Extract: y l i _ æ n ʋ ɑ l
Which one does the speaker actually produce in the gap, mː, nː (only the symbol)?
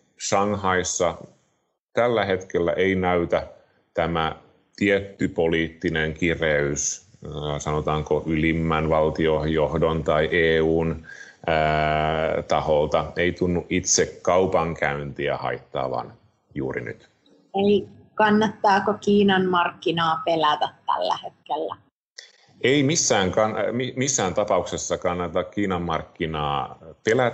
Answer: mː